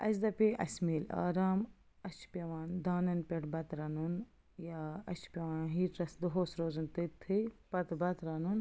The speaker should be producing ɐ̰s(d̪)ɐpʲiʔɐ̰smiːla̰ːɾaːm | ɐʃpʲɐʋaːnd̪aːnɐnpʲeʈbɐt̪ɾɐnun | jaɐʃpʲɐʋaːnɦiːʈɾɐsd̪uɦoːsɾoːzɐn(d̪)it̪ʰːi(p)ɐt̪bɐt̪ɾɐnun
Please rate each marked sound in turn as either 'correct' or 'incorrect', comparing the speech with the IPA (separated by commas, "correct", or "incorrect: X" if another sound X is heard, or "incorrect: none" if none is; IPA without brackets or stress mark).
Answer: correct, incorrect: t̪, correct